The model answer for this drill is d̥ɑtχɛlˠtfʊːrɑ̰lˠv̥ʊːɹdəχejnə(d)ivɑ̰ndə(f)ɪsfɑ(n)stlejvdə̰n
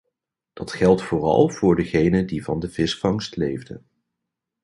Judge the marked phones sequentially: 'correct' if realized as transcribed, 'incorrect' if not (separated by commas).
correct, incorrect, incorrect